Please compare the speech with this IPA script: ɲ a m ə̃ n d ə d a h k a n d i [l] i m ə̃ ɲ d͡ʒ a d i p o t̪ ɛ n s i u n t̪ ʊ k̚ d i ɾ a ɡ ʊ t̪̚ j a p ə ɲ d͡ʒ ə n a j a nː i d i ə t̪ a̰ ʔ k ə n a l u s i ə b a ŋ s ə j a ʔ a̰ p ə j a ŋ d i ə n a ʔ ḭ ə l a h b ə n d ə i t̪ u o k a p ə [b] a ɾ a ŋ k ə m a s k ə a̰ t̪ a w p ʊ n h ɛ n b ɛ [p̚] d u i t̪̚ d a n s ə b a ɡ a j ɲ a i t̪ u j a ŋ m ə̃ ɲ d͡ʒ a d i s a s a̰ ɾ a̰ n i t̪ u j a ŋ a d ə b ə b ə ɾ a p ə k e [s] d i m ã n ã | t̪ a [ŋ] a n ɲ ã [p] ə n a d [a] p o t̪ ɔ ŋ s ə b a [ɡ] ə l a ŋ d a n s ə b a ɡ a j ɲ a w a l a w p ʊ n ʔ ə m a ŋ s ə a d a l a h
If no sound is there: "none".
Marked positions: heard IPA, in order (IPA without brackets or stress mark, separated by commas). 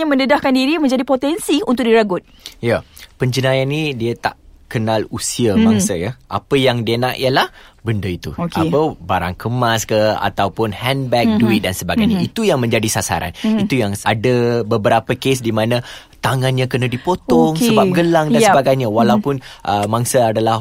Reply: ɾ, b, k̚, s, ŋ, k, i, ɡ